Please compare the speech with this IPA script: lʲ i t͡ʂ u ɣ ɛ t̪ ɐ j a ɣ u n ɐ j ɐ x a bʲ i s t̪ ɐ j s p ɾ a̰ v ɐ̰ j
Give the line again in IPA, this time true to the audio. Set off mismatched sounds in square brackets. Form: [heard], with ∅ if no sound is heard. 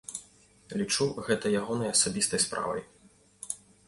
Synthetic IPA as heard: lʲ i t͡ʂ u ɣ ɛ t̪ ɐ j a ɣ [ɔ] n ɐ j ɐ [s] a bʲ i s t̪ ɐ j s p ɾ a̰ v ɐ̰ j